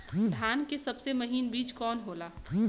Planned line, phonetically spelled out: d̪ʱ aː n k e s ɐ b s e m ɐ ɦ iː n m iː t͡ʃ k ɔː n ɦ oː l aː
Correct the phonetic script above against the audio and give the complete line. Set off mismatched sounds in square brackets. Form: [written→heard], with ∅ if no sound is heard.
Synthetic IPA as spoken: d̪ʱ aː n k e s ɐ b s e m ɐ ɦ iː n [m→b] iː t͡ʃ k ɔː n ɦ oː l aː